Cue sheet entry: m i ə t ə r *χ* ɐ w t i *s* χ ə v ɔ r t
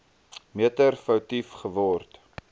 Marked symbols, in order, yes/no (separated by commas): no, no